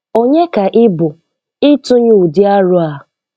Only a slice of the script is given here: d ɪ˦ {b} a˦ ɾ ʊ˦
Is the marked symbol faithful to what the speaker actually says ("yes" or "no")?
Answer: no